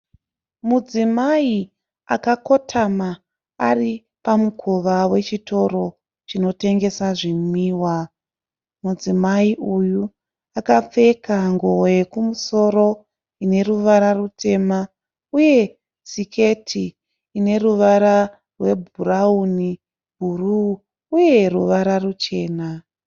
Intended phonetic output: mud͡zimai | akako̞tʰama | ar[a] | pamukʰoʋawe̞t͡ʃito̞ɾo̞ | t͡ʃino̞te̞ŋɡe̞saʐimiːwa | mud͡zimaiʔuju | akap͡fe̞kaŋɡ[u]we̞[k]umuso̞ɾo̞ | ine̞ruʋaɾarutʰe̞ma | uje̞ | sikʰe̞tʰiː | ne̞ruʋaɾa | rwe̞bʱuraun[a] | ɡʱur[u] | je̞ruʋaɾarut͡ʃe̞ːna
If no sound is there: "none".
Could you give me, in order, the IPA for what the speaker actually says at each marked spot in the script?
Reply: i, o, k, i, uː

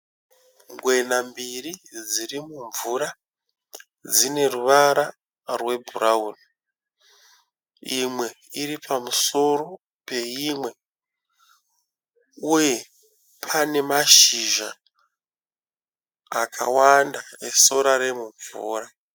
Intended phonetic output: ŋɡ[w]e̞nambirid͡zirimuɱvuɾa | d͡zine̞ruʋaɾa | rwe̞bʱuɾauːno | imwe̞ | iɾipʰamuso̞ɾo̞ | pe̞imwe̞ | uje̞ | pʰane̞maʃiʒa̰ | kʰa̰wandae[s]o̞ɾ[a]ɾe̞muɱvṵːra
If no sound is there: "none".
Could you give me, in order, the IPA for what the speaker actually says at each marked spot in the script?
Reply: w, s, a

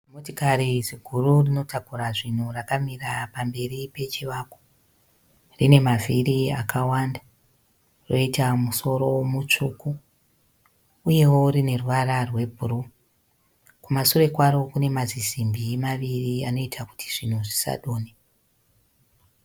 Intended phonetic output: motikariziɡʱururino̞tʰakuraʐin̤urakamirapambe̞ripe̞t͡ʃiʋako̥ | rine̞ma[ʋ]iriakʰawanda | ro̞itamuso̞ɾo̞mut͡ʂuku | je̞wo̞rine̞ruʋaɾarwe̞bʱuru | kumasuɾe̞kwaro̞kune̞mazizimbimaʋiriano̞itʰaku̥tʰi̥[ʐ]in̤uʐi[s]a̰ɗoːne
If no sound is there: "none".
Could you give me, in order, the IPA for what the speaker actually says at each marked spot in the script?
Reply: v, ʐ, s

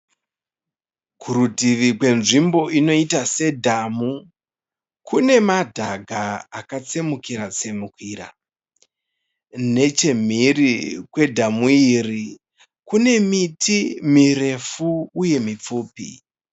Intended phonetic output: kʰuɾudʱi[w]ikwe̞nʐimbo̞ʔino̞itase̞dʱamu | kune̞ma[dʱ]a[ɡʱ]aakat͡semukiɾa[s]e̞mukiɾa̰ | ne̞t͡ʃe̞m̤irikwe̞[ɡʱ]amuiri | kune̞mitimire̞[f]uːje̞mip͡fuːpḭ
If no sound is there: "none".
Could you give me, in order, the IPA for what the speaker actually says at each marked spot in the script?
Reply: ʋ, dʱ, ɡʱ, t͡s, dʱ, f

